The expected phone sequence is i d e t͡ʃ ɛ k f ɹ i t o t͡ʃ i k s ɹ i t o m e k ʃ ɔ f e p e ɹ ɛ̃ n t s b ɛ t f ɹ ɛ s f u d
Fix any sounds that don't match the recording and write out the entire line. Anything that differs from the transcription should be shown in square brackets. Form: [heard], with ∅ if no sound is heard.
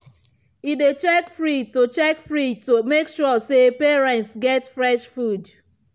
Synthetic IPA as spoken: i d e t͡ʃ ɛ k f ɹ i t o t͡ʃ [ɛ] k [f] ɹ i t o m e k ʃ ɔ [s] e p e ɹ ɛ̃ n t s [ɡ] ɛ t f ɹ ɛ [ʃ] f u d